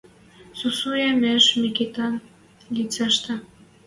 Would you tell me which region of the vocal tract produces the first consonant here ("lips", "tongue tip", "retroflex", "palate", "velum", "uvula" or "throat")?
tongue tip